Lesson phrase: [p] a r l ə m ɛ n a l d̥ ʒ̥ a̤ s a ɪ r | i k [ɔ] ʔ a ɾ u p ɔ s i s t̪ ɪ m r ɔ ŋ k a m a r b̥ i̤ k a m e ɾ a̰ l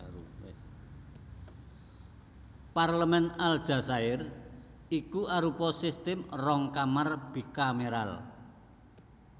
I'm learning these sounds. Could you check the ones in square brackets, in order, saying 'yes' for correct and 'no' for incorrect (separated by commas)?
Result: yes, no